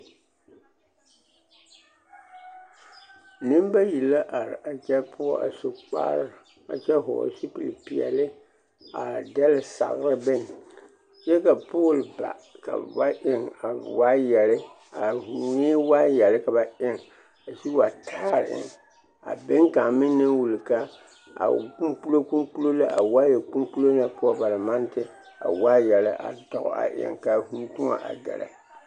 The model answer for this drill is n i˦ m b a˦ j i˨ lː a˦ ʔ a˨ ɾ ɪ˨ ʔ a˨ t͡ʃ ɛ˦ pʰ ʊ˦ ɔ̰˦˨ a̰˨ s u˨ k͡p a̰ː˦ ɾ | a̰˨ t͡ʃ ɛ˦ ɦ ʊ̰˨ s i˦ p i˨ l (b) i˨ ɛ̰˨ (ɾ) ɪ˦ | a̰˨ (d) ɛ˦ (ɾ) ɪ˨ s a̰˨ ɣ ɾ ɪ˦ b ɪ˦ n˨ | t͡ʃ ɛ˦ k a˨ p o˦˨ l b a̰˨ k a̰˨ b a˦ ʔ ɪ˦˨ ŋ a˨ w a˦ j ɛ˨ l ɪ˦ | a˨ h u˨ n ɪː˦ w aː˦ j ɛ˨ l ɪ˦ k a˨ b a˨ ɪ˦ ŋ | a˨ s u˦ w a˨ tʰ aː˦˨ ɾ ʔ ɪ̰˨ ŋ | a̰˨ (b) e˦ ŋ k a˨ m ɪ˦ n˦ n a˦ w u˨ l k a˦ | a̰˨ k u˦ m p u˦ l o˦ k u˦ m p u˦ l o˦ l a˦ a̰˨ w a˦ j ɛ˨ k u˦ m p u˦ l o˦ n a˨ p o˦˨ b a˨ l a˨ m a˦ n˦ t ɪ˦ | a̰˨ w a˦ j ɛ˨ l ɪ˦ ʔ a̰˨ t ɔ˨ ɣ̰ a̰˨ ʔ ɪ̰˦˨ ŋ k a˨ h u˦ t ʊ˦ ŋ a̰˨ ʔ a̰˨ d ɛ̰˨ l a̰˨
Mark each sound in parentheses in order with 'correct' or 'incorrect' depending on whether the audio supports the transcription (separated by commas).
incorrect, incorrect, correct, incorrect, correct